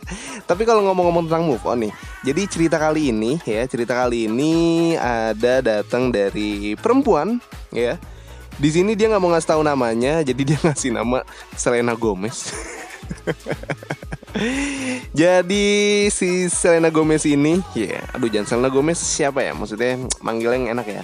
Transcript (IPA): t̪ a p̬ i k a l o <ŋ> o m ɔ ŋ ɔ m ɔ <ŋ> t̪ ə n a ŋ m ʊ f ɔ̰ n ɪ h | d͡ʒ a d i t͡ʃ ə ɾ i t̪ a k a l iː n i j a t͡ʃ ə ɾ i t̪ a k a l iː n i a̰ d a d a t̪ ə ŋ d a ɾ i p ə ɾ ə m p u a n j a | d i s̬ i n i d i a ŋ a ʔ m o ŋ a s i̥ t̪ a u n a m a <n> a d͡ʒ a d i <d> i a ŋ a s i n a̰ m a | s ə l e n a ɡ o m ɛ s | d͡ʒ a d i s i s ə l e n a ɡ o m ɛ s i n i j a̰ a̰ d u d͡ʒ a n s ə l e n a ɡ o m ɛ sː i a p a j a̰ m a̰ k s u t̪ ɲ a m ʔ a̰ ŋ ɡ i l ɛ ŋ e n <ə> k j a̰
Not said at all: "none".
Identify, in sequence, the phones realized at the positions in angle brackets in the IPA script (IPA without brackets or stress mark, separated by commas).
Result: ŋ, ŋ, ɲ, d, a